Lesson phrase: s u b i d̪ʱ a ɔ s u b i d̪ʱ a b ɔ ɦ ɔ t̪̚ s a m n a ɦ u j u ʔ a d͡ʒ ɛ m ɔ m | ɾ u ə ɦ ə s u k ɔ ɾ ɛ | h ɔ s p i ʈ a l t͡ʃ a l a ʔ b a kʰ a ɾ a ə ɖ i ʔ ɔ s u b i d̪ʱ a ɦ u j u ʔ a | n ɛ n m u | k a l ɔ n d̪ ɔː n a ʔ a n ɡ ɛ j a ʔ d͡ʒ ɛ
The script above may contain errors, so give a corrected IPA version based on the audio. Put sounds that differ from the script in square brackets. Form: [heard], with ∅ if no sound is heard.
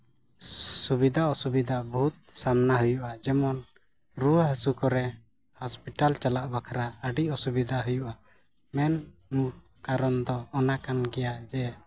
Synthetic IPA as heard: s u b i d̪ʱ a ɔ s u b i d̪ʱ a b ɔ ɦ [u] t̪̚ s a m n a ɦ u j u ʔ a d͡ʒ ɛ m ɔ [n] | ɾ u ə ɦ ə s u k ɔ ɾ ɛ | h ɔ s p i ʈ a l t͡ʃ a l a ʔ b a kʰ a ɾ a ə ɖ i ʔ ɔ s u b i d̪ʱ a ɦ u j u ʔ a | [m] ɛ n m u | k a [ɾ] ɔ n d̪ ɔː n a [k] a n ɡ ɛ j a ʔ d͡ʒ ɛ